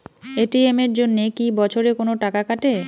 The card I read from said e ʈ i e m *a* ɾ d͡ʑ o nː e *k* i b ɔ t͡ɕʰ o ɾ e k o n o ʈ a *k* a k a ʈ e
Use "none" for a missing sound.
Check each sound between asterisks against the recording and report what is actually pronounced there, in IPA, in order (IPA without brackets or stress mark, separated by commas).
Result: e, k, k